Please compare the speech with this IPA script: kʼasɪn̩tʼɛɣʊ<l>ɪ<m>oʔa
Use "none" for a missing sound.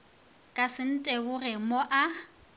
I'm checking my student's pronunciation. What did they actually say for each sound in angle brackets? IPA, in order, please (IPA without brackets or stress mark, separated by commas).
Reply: r, m